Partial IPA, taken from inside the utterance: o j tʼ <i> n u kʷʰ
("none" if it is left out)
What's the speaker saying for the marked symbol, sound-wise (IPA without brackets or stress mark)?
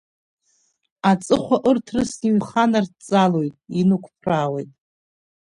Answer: i